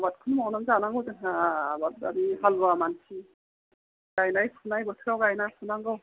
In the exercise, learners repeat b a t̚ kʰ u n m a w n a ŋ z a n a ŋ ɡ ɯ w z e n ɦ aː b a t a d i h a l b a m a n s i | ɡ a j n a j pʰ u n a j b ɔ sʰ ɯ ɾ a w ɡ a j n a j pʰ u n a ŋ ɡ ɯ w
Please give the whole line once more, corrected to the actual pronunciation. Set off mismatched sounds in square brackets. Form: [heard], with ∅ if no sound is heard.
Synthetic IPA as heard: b a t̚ kʰ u n m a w n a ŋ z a n a ŋ ɡ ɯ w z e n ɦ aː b a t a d i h a l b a m a n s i | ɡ a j n a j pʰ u n a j b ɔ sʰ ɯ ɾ a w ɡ a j n a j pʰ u n a ŋ ɡ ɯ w